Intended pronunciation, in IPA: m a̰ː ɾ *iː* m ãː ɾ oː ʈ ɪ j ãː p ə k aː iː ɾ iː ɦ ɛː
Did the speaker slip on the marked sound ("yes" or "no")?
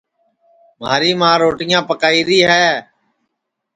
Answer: no